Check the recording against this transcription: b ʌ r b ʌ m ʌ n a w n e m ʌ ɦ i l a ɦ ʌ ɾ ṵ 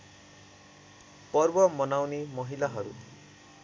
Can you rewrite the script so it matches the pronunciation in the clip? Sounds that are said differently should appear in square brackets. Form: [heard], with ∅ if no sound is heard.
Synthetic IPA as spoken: [p] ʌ r b ʌ m ʌ n a w n e m ʌ ɦ i l a ɦ ʌ ɾ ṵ